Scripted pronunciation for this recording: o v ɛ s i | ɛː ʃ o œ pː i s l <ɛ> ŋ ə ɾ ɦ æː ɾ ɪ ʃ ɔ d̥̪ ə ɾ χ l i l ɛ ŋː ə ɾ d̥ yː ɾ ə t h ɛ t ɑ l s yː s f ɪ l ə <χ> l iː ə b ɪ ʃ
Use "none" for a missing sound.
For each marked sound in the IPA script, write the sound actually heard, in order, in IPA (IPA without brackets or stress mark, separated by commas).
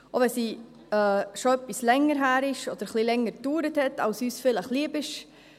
ɛ, χ